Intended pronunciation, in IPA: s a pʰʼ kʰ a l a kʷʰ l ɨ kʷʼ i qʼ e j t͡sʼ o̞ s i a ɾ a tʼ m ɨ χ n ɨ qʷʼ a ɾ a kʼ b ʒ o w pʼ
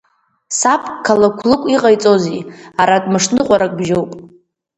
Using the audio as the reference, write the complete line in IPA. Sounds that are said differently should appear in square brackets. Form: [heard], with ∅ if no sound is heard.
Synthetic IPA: s a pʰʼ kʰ a l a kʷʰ l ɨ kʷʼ i qʼ [a] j t͡sʼ o̞ [z] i a ɾ a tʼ m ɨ [ʂ] n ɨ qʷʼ a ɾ a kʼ b ʒ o w pʼ